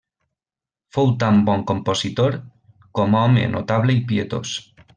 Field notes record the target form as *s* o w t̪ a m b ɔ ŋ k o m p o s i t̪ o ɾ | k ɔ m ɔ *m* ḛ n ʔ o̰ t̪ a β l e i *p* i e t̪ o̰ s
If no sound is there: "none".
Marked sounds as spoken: f, m, p

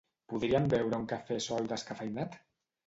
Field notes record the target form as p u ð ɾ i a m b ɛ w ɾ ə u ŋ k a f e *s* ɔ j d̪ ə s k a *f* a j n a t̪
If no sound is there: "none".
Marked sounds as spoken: s, f

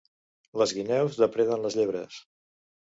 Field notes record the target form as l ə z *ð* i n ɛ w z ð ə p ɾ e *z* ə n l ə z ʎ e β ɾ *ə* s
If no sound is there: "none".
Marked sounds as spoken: ɣ, ð, ə

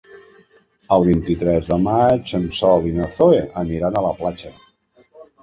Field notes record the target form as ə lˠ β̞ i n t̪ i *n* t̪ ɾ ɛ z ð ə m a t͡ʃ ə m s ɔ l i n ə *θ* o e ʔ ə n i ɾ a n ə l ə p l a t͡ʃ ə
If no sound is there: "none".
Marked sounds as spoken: none, θ

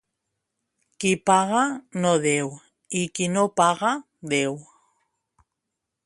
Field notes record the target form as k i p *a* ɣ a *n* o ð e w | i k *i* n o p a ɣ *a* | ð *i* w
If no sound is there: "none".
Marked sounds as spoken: a, n, i, a, e

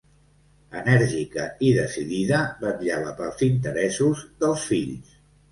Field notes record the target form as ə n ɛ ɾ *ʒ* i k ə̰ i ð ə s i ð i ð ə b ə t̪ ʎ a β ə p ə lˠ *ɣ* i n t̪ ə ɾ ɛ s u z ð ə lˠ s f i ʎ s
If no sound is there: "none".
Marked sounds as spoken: ʒ, z

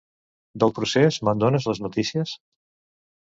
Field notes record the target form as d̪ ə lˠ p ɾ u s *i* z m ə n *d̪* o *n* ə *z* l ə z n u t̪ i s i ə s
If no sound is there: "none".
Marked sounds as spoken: e, d̪, n, z

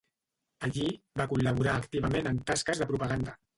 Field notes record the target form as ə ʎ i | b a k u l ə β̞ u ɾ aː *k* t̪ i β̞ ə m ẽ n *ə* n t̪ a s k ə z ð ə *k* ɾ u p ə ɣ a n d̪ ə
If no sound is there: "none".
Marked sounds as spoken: k, ə, p

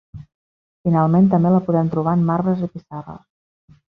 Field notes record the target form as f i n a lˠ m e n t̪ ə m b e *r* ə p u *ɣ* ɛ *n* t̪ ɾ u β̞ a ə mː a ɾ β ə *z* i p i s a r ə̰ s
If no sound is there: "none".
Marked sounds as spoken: l, ð, m, z

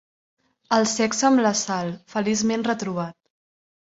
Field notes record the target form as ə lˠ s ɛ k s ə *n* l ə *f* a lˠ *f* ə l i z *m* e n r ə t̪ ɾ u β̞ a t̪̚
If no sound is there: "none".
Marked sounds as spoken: m, s, f, m

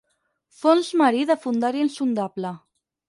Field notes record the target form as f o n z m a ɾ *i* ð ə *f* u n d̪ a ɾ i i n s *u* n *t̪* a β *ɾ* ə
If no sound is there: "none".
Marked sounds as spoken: i, f, u, d̪, l

